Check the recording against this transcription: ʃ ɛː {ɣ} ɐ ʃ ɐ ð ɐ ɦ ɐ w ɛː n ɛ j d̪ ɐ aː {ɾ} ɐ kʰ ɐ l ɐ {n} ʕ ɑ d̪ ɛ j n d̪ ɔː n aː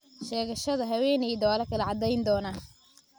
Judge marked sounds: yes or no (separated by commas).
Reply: yes, no, no